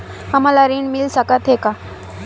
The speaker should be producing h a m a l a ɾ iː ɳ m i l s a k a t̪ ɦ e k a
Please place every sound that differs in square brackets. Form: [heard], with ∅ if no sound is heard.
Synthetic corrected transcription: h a m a l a ɾ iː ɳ m i l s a k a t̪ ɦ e k a